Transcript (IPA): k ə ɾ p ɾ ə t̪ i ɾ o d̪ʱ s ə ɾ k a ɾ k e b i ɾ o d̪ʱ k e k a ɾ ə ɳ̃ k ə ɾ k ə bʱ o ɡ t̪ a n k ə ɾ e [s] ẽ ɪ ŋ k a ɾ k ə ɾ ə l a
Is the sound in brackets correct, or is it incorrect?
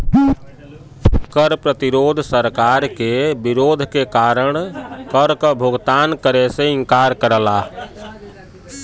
correct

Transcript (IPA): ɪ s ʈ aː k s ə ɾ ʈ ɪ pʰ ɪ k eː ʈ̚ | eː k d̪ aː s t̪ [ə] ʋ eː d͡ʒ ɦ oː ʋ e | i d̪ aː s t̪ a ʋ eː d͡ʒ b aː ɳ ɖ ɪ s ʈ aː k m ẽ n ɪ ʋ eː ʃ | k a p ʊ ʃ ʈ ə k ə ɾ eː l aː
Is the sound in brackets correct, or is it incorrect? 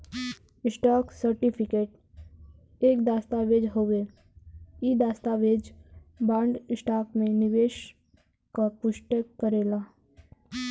incorrect: a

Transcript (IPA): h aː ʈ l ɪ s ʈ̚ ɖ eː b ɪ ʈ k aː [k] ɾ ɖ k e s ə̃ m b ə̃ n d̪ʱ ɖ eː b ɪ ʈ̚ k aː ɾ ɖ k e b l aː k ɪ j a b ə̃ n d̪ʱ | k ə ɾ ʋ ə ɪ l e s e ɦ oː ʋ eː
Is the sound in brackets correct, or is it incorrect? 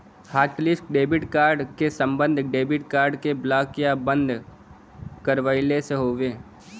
incorrect: none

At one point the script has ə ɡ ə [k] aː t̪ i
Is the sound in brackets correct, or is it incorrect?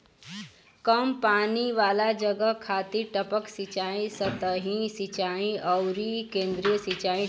incorrect: kʰ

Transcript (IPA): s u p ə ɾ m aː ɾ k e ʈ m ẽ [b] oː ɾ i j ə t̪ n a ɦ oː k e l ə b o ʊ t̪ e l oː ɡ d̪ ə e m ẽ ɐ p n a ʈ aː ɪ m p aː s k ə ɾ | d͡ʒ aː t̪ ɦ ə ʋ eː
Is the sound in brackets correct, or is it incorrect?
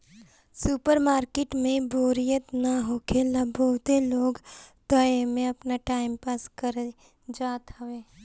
correct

